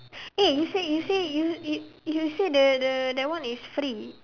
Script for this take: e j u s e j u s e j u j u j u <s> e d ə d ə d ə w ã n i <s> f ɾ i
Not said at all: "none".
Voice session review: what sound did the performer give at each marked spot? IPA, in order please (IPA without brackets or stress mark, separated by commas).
s, s